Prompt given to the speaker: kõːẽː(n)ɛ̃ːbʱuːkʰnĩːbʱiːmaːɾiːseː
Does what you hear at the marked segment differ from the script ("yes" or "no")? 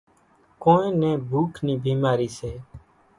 no